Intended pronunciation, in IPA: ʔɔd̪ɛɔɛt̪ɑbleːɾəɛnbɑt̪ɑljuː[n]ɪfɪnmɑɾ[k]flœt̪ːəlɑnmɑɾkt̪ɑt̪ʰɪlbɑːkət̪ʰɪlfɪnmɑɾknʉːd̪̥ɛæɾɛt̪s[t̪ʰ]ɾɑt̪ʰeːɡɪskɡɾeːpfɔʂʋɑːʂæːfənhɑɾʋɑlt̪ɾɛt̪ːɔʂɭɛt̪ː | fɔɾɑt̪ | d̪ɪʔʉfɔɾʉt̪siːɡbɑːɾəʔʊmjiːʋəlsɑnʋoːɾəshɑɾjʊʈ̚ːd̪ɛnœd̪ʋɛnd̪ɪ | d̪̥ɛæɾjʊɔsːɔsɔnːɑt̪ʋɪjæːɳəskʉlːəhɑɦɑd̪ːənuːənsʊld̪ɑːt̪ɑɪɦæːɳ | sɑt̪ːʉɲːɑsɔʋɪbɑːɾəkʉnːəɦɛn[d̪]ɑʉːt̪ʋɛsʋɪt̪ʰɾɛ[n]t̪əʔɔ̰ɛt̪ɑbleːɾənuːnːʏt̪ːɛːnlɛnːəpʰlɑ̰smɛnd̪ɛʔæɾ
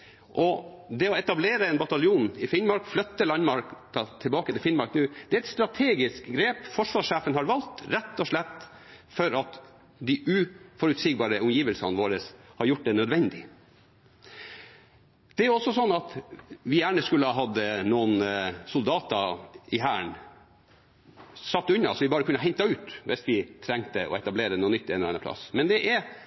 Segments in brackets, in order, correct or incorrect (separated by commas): correct, correct, incorrect, incorrect, incorrect